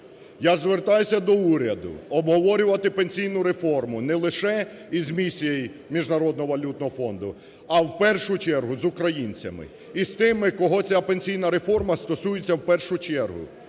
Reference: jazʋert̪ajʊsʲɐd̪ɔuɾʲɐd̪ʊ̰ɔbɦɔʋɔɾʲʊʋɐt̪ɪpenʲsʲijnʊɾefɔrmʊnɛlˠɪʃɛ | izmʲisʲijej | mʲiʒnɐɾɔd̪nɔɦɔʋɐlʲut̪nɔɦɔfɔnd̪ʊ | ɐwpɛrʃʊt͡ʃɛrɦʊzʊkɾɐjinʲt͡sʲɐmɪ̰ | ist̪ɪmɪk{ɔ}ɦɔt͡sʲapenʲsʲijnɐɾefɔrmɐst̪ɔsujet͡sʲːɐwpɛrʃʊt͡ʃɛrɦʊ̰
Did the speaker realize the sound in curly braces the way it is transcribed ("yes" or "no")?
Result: yes